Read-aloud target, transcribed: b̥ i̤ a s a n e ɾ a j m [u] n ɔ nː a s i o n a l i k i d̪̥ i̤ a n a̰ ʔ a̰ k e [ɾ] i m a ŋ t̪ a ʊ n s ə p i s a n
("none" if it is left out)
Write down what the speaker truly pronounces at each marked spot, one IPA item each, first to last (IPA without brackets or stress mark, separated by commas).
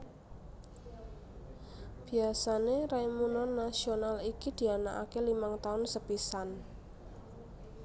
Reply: u, l